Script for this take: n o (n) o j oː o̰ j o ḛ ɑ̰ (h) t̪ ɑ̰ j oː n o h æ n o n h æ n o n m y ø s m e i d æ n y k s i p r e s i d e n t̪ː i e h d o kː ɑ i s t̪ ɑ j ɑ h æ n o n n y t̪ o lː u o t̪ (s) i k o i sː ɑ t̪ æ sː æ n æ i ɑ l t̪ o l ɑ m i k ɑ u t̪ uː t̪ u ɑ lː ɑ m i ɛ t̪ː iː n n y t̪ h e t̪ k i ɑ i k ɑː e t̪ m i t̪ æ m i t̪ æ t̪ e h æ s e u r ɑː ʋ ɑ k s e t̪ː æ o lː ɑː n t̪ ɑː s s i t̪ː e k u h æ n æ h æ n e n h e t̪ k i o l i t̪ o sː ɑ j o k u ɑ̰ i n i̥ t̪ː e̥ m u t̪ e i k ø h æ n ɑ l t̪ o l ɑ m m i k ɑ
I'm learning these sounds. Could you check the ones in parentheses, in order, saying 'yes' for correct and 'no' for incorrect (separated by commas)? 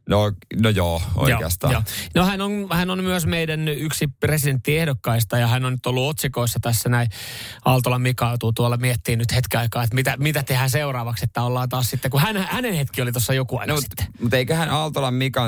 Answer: yes, no, yes